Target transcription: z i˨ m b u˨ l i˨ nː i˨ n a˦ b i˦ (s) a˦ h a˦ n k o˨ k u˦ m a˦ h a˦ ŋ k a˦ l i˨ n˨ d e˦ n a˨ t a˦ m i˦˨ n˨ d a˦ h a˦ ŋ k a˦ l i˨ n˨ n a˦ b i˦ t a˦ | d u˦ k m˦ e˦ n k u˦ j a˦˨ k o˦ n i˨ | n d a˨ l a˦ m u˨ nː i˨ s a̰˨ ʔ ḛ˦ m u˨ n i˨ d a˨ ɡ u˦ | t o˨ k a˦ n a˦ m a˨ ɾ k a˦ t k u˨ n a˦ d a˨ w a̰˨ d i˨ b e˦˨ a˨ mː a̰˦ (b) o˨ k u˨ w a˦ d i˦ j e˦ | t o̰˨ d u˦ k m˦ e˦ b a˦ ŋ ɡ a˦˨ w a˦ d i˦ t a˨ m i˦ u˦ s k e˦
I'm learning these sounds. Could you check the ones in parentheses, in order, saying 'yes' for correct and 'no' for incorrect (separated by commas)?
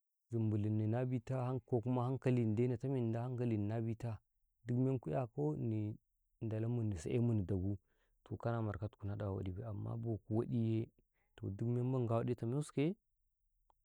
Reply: no, yes